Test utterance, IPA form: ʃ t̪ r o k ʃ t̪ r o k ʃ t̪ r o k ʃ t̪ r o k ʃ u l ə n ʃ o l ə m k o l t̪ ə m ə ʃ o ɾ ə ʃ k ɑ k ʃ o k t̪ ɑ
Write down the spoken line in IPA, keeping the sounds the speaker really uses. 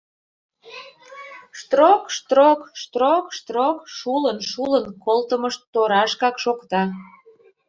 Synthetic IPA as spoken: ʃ t̪ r o k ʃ t̪ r o k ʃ t̪ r o k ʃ t̪ r o k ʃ u l ə n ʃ u l ə n k o l t̪ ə m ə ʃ o ɾ ɑ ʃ k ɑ k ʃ o k t̪ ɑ